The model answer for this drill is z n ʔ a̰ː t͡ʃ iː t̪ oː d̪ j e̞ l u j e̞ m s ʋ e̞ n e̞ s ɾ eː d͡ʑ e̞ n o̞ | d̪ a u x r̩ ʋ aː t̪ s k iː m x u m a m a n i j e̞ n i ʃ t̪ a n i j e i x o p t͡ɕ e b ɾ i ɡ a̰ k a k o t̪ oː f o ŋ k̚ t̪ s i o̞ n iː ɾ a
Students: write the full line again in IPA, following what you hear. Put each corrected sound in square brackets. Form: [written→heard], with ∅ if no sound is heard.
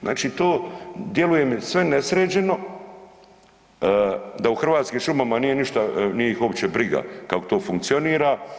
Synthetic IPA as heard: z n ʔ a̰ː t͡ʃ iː t̪ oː d̪ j e̞ l u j e̞ m s ʋ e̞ n e̞ s ɾ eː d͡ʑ e̞ n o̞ | d̪ a u x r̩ ʋ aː t̪ s k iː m [x→ʃ] u m a m a n i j e̞ n i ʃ t̪ a n i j e i x o p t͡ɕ e b ɾ i ɡ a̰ k a k o t̪ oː f [o→u] ŋ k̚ t̪ s i o̞ n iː ɾ a